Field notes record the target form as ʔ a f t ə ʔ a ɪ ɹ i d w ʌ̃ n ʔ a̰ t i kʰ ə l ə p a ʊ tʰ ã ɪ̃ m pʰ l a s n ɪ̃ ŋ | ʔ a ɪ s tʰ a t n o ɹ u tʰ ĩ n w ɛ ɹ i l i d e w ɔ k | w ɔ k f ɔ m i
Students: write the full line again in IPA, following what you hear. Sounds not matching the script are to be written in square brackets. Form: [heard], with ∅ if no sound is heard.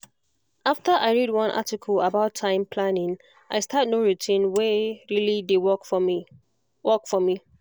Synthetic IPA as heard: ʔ a f t ə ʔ a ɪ ɹ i d w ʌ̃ n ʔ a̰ t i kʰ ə l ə [b] a ʊ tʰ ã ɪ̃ m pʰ l a [∅] n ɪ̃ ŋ | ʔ a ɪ s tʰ a t n o ɹ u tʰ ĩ n w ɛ ɹ i l i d e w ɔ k | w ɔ k f ɔ m i